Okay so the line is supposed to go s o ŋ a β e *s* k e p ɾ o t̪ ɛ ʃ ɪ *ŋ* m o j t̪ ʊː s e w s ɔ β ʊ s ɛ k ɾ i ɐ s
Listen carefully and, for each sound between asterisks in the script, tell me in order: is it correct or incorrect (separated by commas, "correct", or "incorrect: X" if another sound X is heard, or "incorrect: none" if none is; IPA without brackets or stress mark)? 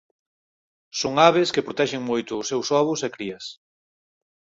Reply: correct, correct